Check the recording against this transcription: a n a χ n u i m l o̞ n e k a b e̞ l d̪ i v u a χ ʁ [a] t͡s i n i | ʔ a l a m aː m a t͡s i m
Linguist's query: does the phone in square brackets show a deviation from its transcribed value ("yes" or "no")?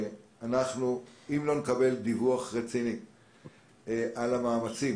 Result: yes